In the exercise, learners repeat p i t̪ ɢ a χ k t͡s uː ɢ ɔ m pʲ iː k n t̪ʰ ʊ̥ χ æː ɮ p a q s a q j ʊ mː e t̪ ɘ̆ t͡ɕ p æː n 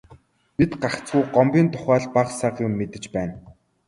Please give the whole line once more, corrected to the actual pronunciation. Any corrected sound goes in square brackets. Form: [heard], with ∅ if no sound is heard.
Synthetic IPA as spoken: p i t̪ ɢ a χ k t͡s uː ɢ ɔ m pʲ iː [∅] n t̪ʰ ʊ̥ χ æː ɮ p a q s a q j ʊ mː e t̪ ɘ̆ t͡ɕ p æː n